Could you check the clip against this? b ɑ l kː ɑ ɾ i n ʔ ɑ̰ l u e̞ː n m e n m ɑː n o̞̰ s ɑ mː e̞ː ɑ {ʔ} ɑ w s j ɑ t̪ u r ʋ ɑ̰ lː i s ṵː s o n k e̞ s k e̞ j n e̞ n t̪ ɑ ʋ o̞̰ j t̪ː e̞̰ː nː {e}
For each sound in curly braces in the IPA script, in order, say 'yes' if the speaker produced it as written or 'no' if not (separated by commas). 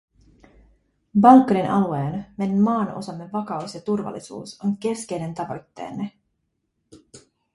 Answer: no, yes